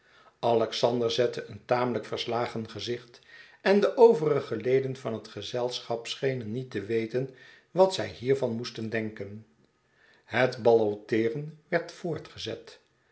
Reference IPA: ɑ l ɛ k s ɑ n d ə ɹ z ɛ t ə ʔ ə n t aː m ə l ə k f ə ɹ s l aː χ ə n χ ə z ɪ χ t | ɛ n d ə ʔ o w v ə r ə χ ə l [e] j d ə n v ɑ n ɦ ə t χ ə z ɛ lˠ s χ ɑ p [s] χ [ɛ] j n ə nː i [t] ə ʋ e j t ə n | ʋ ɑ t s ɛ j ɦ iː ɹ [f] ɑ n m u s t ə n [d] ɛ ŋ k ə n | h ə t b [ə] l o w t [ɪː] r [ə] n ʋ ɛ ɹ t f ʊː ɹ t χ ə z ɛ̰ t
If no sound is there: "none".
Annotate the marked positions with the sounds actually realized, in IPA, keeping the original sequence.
e, s, e, t, v, d, ɑ, ɪː, ə

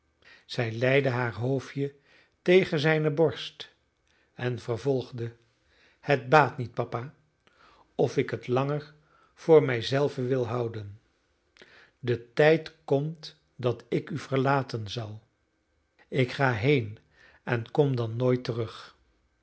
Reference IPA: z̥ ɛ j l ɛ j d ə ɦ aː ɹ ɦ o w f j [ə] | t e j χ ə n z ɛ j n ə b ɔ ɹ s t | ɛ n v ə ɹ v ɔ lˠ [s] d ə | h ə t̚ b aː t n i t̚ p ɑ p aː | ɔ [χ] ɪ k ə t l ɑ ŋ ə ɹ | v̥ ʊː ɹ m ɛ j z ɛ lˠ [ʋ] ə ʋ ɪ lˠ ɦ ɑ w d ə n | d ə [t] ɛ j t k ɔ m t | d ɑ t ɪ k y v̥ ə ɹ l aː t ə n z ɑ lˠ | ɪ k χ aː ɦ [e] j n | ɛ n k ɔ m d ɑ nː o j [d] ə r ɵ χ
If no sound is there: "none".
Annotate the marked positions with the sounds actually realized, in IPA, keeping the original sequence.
ə, χ, f, v, t, e, t

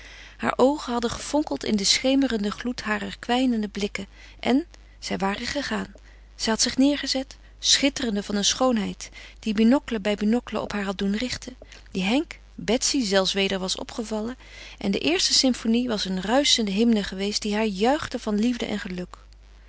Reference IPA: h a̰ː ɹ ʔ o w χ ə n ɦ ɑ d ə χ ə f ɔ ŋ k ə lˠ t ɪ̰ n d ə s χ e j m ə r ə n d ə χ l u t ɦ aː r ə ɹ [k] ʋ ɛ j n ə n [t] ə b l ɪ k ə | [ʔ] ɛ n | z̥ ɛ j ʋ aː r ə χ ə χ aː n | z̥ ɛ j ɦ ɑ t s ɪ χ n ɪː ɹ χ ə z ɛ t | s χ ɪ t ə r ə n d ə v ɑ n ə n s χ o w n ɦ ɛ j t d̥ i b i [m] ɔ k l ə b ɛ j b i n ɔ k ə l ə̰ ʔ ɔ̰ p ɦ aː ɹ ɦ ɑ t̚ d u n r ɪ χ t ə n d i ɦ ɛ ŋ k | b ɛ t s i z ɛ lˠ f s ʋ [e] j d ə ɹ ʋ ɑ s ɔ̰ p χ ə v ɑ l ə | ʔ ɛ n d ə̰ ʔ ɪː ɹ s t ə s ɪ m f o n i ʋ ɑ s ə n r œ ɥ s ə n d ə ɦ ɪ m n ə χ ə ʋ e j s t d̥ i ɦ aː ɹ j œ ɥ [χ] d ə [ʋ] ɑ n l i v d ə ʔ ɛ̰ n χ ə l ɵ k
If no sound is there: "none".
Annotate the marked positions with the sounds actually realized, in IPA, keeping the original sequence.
k, d, ʔ, n, e, χ, v

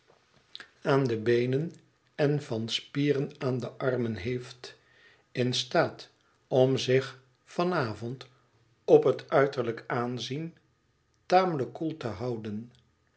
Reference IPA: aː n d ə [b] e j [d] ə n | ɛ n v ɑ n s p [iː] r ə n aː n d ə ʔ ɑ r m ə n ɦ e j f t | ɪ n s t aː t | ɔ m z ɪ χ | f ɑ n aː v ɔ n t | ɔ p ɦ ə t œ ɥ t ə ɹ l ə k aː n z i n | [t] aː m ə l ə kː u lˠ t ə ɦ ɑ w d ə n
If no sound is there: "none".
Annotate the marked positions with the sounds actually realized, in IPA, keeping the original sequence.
b, n, iː, t

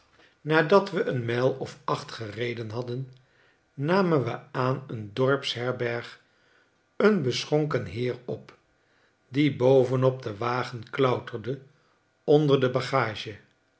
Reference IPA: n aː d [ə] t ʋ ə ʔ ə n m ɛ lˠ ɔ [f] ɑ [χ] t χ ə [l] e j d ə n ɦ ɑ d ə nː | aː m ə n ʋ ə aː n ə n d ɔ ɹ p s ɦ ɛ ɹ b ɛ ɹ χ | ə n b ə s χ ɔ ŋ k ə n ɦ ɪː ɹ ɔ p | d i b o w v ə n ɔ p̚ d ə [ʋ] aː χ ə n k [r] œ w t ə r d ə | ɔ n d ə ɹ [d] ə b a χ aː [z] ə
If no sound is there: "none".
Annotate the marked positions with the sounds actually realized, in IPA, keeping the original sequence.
ɑ, f, χ, r, ʋ, l, d, ʒ

